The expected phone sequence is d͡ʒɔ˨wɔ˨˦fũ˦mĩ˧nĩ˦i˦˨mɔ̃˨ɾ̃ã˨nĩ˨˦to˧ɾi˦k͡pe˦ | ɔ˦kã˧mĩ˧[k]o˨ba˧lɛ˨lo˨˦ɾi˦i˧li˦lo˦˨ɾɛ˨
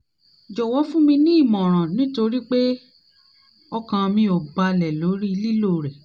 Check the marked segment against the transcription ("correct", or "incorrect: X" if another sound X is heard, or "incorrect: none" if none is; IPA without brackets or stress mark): incorrect: none